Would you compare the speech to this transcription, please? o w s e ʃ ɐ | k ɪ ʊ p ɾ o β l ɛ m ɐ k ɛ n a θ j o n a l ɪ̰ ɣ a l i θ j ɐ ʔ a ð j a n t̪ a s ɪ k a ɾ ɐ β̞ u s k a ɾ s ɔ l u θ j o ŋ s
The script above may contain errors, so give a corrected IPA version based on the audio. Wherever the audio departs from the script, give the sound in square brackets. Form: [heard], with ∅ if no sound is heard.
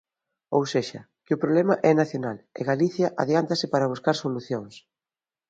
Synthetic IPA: o w s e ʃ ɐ | k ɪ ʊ p ɾ o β l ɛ m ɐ [ʔ] ɛ n a θ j o n a l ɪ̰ ɣ a l i θ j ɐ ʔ a ð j a n t̪ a s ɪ [p] a ɾ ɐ β̞ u s k a ɾ s [o] l u θ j o ŋ s